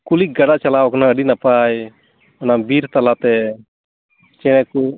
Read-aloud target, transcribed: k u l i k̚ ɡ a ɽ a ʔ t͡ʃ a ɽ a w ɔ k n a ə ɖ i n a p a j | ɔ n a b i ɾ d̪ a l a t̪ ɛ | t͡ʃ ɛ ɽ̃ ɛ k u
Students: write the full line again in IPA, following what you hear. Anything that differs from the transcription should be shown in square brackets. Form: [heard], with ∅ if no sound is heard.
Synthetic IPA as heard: k u l i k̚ ɡ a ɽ a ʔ t͡ʃ a [l] a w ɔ k n a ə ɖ i n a p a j | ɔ n a b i ɾ [t̪] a l a t̪ ɛ | t͡ʃ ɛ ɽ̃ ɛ k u